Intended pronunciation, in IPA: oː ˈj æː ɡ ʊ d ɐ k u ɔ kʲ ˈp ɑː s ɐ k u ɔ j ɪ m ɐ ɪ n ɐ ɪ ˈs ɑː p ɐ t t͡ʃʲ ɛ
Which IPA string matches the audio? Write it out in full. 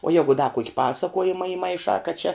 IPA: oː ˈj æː ɡ ʊ d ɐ k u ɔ kʲ ˈp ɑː s ɐ k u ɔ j ɪ m ɐ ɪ m ɐ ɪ ˈʃ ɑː k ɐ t t͡ʃʲ ɛ